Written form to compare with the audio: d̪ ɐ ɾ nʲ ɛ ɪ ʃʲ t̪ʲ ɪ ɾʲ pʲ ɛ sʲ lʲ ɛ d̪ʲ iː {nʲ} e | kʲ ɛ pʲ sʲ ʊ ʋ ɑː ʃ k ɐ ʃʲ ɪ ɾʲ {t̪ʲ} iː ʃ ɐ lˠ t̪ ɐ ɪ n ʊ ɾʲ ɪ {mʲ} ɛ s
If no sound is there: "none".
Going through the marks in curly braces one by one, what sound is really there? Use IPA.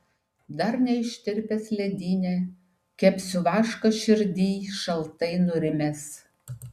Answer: nʲ, d̪ʲ, mʲ

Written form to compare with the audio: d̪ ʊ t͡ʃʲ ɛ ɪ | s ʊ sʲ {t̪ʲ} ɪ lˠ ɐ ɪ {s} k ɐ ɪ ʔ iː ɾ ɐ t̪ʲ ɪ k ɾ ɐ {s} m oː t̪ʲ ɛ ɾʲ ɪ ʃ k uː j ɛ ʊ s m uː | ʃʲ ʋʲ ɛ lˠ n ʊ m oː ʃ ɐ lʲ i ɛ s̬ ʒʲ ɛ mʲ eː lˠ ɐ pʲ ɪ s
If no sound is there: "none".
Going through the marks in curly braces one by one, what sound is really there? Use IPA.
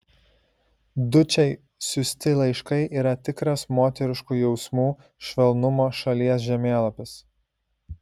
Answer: t̪ʲ, ʃ, s

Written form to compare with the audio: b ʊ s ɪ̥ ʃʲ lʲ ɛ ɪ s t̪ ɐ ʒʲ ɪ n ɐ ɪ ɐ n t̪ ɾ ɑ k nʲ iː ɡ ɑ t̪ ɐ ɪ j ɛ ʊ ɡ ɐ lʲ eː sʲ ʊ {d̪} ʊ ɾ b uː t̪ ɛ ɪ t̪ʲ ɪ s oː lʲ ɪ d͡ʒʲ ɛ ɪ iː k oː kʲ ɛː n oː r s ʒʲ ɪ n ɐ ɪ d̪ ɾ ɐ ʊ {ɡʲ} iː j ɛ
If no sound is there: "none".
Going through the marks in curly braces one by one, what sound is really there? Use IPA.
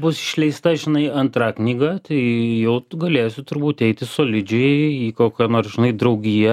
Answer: t̪, ɡʲ

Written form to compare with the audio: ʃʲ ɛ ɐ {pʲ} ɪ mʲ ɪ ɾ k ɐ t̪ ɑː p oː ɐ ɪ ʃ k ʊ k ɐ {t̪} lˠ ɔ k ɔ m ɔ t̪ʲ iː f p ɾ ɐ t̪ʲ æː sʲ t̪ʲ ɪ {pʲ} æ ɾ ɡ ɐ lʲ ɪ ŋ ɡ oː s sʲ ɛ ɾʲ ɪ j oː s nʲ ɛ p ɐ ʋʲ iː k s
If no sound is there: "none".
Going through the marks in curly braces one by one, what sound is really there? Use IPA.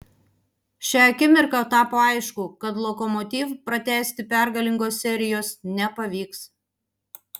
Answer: kʲ, t̪, pʲ

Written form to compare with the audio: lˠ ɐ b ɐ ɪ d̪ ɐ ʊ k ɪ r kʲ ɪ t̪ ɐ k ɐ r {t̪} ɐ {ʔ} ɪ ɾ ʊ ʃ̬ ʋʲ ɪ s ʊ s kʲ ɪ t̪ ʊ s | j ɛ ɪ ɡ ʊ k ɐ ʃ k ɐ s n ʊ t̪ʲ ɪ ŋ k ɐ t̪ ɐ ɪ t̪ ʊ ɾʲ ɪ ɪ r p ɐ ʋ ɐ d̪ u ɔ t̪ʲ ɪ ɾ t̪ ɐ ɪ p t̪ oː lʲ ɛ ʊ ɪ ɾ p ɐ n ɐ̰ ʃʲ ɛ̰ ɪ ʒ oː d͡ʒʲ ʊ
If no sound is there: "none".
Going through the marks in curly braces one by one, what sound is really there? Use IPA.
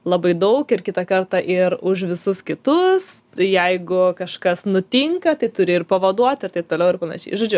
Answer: t̪, ʔ

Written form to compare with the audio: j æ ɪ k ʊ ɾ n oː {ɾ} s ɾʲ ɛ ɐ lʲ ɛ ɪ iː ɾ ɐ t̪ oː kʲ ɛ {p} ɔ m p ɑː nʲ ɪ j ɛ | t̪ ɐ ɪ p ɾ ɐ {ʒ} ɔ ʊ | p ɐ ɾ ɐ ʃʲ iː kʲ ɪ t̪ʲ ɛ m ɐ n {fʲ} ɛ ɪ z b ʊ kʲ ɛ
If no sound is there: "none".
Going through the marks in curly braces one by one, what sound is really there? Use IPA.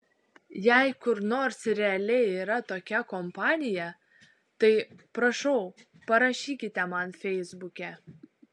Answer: ɾ, k, ʃ, fʲ

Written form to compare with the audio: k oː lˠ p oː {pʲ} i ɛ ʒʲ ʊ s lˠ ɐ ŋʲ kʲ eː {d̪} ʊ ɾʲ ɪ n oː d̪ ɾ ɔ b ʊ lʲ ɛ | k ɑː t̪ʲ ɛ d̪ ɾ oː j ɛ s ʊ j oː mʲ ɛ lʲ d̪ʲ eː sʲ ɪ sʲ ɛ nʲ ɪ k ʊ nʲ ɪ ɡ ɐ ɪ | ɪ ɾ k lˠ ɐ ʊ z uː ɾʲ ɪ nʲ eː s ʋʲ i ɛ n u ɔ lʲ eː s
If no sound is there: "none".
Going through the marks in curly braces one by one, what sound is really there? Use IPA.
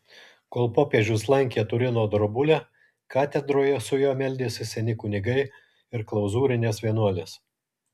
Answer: pʲ, t̪

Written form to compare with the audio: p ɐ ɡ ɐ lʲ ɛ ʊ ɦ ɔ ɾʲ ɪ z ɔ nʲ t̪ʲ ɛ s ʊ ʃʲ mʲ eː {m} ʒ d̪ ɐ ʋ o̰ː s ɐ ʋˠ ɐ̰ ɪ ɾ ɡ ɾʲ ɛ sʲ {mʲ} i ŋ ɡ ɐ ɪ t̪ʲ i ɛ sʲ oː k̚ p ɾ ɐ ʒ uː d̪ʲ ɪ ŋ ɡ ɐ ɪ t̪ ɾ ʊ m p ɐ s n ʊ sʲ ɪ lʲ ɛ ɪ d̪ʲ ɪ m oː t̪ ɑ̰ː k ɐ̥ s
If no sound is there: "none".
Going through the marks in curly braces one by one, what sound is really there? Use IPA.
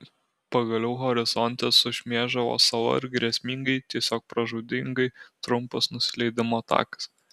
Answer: none, mʲ

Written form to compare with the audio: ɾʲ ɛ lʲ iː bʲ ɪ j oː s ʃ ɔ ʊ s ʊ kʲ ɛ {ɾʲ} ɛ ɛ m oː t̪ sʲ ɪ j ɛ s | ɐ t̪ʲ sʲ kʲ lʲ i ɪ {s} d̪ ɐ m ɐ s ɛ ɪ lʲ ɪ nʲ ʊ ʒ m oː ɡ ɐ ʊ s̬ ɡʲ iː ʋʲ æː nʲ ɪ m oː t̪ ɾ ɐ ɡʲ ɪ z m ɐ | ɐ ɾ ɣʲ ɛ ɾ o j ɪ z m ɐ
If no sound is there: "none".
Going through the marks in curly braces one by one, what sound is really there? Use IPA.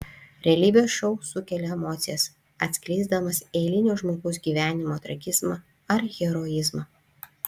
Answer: lʲ, z

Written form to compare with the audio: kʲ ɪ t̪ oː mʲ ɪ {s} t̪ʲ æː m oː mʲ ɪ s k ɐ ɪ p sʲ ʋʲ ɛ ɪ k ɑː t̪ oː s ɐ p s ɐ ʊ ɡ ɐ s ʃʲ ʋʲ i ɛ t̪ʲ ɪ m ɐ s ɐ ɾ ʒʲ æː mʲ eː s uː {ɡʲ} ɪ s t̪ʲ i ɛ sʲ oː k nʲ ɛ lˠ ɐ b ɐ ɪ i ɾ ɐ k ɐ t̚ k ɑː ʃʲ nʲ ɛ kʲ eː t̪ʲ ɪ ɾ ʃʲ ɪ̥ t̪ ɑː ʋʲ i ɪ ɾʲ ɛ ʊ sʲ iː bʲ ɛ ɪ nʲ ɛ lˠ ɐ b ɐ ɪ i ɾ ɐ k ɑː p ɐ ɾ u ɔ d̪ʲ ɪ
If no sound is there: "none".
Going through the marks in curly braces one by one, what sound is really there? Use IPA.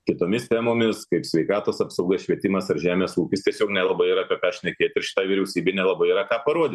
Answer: s, kʲ

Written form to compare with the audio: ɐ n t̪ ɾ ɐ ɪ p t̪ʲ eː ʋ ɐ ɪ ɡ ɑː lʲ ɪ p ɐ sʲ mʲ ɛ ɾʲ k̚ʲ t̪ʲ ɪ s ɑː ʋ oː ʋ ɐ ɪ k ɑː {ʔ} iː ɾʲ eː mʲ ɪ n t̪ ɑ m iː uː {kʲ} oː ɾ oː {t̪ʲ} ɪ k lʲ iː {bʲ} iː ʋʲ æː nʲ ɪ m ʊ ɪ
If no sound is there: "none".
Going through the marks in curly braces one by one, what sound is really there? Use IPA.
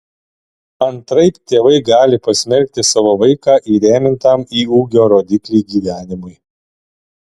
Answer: ʔ, ɡʲ, d̪ʲ, ɡʲ

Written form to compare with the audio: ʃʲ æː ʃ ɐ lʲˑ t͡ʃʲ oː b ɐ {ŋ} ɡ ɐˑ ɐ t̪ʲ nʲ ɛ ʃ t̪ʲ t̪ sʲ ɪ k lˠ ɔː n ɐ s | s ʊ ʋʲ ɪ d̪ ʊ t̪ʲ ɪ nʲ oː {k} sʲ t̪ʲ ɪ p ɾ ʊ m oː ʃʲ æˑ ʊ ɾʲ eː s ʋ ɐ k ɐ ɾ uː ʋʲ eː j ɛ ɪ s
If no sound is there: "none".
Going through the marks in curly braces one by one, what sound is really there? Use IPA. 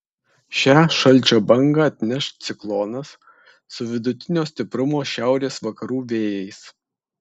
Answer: ŋ, none

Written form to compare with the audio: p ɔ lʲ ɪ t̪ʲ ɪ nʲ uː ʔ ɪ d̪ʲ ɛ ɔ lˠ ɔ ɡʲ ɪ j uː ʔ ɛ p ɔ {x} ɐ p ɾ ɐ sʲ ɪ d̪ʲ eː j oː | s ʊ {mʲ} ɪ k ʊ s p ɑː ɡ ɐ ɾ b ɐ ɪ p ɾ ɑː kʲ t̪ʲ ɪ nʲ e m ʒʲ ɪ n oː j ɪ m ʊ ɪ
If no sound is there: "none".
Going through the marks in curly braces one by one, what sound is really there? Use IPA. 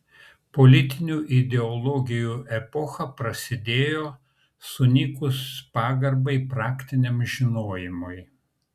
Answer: x, nʲ

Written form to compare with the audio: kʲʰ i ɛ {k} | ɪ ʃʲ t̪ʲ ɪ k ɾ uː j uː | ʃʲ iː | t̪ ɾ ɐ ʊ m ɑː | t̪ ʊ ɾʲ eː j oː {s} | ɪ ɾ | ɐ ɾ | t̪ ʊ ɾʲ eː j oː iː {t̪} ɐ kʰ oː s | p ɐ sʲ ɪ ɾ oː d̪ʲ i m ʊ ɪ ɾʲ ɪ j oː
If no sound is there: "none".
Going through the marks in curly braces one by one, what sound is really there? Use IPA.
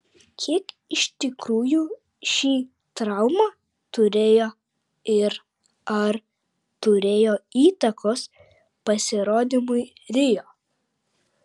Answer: k, none, t̪

